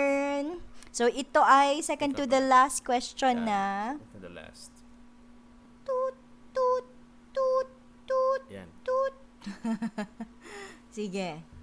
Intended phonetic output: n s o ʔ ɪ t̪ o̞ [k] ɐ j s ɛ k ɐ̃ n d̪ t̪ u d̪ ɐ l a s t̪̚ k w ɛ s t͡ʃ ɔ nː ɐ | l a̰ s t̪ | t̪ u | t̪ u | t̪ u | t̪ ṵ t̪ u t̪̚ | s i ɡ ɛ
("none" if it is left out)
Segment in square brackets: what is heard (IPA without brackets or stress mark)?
ʔ